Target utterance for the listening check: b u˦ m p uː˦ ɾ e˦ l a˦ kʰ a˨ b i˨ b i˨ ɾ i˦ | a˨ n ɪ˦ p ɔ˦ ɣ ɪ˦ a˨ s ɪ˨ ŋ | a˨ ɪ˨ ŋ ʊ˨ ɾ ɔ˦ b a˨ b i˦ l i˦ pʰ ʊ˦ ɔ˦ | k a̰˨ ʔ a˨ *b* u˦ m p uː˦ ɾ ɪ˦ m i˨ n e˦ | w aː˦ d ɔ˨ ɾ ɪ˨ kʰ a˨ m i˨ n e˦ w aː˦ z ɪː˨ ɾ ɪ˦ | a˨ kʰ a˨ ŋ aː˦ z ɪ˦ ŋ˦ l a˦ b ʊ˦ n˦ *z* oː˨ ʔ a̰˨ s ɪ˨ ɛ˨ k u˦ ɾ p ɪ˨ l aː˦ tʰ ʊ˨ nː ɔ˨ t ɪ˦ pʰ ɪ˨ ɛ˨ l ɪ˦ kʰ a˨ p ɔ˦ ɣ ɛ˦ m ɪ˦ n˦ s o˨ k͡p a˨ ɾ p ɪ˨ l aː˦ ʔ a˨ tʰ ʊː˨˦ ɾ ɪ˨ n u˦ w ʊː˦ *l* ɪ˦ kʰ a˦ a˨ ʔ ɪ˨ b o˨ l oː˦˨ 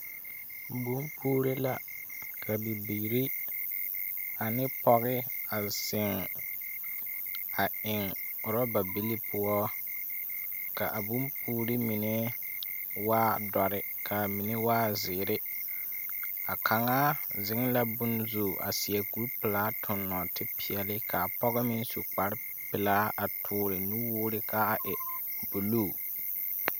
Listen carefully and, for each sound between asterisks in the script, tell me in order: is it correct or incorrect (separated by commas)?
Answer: correct, correct, incorrect